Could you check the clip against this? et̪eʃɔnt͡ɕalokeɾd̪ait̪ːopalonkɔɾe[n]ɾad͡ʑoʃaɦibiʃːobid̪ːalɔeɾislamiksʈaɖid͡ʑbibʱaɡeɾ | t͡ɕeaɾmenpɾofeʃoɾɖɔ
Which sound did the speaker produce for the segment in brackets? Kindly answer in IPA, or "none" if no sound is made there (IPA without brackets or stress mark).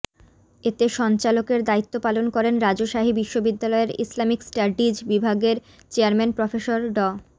n